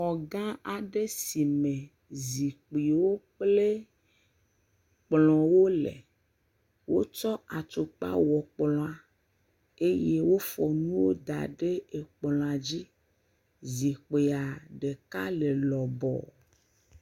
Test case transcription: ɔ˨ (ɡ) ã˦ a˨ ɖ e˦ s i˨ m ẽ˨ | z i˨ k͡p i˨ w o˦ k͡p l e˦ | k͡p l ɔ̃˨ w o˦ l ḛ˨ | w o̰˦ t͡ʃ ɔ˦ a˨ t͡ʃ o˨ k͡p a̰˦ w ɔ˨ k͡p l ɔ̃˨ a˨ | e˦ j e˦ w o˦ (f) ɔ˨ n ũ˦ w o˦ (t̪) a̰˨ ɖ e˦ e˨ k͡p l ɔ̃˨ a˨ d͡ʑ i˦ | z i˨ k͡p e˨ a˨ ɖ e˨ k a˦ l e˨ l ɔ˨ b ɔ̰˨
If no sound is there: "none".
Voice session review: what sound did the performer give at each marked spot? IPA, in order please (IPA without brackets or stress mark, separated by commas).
ɡ, f, d̪